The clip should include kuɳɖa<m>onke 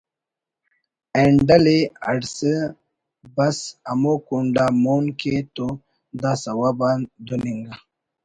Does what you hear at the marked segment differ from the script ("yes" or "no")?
no